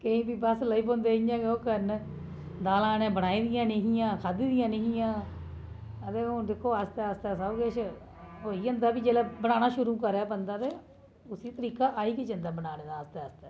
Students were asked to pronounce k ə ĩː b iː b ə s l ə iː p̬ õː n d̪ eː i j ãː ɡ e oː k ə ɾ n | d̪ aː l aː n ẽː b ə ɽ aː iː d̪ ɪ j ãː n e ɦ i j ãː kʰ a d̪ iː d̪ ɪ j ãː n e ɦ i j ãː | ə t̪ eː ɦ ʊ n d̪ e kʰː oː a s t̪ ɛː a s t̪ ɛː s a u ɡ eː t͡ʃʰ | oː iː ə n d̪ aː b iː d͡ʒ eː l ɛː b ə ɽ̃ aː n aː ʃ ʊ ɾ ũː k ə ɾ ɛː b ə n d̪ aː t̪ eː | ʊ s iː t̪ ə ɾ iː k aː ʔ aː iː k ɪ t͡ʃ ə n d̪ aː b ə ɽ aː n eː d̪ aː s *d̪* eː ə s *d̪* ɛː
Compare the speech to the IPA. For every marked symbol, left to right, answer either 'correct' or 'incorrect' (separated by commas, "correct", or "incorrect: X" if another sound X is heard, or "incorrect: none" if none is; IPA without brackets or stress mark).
incorrect: t̪, incorrect: t̪